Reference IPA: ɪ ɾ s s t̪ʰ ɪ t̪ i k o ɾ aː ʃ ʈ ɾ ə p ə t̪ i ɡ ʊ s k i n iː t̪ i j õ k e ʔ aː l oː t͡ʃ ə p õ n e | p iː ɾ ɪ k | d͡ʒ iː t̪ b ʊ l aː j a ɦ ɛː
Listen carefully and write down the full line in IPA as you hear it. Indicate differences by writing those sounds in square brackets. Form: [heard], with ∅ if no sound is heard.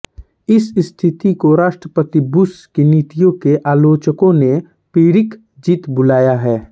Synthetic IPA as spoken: ɪ [∅] s s t̪ʰ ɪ t̪ i k o ɾ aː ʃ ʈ ɾ ə p ə t̪ i [b] ʊ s k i n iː t̪ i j õ k e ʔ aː l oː t͡ʃ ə [k] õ n e | p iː ɾ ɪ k | d͡ʒ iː t̪ b ʊ l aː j a ɦ ɛː